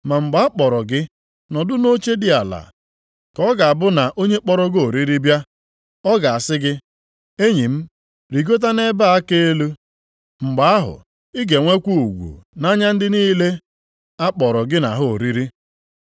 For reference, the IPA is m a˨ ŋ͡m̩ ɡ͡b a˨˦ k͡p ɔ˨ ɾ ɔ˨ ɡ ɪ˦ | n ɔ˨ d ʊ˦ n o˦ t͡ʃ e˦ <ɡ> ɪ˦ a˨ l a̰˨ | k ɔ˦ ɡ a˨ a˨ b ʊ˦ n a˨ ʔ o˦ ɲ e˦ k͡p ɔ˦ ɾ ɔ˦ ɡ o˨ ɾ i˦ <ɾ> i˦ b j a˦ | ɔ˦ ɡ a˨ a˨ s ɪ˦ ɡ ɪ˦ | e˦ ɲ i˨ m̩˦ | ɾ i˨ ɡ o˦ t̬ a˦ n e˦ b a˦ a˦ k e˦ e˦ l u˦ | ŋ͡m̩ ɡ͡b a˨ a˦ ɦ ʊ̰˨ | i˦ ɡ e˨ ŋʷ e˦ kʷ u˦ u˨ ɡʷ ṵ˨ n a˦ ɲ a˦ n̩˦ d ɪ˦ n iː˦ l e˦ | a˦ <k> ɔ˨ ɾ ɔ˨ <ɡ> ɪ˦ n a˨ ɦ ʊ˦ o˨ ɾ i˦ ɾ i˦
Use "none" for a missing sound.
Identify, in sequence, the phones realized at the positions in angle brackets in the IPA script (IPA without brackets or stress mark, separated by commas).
d, ɾ, k͡p, ɡ